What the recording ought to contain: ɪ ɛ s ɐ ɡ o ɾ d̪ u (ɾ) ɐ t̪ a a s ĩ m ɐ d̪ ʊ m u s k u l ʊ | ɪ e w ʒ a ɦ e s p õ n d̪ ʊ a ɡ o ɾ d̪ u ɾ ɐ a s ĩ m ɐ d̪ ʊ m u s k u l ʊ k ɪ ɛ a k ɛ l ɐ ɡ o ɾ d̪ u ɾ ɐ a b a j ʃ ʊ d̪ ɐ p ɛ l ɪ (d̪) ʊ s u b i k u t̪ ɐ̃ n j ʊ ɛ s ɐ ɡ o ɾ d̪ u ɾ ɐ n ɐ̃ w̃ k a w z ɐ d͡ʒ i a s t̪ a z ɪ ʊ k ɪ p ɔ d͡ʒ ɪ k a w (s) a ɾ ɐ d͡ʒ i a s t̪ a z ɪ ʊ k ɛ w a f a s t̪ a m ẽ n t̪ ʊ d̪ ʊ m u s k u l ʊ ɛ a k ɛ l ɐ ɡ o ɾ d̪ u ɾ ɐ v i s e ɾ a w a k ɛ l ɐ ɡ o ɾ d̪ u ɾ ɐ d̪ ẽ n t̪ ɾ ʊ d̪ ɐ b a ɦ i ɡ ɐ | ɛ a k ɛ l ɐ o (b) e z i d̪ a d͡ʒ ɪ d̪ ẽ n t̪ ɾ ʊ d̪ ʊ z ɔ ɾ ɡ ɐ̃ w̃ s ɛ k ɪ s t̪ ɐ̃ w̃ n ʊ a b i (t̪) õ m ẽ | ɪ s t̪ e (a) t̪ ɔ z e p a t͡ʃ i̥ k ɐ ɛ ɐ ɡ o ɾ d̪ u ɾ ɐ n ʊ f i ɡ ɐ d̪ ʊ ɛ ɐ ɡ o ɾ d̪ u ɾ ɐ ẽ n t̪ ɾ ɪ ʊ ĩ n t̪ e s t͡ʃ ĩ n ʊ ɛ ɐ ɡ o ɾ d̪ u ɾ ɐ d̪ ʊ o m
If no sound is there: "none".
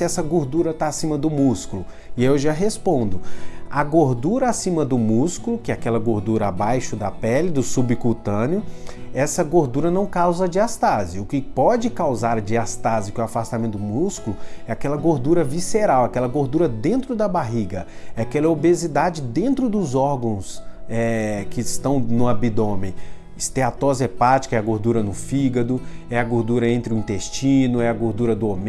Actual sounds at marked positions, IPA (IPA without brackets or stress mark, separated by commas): ɾ, d̪, z, b, d̪, a